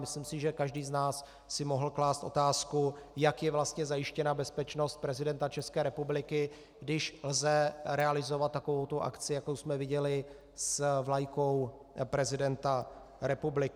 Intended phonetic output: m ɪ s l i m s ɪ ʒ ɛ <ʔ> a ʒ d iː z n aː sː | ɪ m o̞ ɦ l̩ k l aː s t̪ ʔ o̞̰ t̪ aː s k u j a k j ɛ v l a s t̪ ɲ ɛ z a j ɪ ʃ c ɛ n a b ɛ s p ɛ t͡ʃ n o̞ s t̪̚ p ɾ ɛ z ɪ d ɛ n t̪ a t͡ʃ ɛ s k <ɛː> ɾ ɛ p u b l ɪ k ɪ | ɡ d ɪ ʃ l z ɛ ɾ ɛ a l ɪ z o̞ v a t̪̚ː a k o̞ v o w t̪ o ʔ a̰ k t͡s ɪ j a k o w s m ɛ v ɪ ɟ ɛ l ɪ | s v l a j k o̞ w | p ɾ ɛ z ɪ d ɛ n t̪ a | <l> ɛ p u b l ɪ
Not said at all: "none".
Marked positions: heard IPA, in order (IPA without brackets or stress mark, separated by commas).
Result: k, ɛː, ɾ